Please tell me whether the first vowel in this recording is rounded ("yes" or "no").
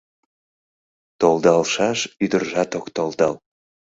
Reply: yes